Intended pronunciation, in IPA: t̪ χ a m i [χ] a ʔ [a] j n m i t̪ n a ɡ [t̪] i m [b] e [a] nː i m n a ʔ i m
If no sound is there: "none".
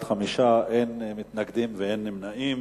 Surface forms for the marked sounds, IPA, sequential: ʃ, e, d̪, v, e

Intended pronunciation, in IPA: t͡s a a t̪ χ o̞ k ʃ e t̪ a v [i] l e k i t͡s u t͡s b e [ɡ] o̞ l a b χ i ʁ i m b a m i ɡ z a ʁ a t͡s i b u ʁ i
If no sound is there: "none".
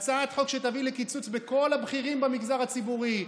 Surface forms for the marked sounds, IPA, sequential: i, k

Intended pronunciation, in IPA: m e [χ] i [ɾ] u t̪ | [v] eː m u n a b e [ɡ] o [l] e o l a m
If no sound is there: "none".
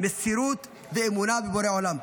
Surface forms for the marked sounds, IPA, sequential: s, ɾ, v, b, ɾ

